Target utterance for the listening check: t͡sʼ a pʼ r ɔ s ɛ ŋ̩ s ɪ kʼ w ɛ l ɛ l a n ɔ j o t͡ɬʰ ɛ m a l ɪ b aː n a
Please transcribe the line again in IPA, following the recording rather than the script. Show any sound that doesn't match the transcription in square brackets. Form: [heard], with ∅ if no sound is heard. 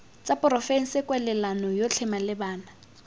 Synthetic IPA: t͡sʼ a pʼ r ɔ [f] ɛ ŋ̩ s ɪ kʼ w ɛ l ɛ l a n ɔ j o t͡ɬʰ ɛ m a l ɪ b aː n a